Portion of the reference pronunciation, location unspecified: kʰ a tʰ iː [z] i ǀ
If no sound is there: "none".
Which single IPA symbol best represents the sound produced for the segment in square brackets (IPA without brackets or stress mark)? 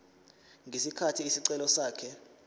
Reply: s